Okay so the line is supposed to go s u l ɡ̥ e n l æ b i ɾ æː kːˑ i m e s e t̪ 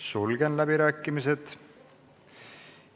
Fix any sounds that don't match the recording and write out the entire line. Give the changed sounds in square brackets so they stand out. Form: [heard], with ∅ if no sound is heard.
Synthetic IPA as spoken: s u l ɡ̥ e n l æ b i ɾ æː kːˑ i m [i] s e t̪